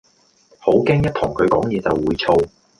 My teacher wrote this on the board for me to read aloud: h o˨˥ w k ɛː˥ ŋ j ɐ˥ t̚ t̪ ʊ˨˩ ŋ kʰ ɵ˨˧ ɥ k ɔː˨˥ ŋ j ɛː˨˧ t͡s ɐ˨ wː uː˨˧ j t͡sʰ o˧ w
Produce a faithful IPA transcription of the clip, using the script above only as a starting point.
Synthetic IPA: h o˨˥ w k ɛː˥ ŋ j ɐ˥ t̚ t̪ʰ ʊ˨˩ ŋ kʰ ɵ˨˧ ɥ k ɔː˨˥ ŋ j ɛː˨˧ t͡s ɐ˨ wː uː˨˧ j t͡sʰ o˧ w